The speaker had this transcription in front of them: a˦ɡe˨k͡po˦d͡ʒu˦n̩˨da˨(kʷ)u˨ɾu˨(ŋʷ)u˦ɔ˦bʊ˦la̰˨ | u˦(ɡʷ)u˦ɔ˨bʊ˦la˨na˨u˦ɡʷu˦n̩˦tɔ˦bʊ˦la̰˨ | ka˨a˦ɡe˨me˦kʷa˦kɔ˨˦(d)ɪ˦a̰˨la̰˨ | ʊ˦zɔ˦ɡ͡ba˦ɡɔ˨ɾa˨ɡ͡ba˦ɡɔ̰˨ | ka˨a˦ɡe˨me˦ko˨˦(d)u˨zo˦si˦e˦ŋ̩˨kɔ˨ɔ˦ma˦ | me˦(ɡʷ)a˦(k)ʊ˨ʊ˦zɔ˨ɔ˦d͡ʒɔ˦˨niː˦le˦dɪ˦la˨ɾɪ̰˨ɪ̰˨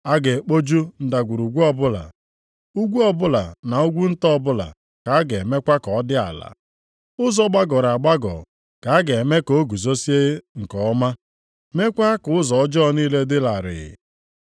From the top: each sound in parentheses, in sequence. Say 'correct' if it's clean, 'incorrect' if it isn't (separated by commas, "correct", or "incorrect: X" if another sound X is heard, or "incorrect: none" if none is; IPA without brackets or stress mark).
incorrect: ɡʷ, incorrect: ɡʷ, correct, correct, incorrect: ɡ, incorrect: kʷ, correct